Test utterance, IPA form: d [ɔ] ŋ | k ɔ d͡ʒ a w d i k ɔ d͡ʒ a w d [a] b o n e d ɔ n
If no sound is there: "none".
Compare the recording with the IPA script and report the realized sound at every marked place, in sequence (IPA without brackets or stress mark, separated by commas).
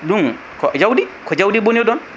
u, i